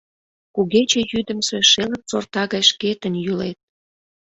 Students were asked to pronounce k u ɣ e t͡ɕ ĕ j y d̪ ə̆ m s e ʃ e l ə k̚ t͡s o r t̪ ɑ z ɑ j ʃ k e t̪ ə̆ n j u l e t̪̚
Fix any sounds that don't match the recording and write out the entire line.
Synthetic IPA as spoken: k u ɣ e t͡ɕ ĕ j y d̪ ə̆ m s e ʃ e l ə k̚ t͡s o r t̪ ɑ ɣ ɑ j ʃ k e t̪ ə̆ n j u l e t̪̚